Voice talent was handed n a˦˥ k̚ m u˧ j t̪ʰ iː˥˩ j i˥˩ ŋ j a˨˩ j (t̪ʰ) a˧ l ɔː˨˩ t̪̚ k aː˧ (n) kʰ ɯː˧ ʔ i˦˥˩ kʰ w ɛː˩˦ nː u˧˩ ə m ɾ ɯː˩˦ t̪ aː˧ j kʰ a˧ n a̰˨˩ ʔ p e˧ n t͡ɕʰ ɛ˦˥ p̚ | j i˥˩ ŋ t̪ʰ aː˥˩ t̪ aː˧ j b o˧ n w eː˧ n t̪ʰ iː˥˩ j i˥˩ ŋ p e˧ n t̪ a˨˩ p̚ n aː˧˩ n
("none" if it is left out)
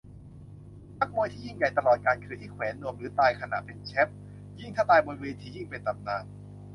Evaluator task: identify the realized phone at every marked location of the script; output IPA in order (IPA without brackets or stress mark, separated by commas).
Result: t̪, n